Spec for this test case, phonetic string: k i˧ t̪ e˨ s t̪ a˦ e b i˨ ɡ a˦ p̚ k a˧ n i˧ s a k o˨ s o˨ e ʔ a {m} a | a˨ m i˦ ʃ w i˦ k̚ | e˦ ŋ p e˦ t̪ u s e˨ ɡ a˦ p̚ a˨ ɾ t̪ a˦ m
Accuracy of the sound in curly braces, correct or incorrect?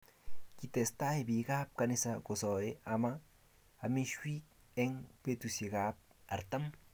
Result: correct